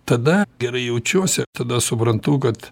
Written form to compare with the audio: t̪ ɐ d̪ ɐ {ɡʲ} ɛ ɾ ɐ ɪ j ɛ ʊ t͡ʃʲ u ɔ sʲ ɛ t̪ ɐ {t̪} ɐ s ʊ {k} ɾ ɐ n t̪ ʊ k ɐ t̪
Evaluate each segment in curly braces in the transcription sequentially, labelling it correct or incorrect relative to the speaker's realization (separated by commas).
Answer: correct, incorrect, incorrect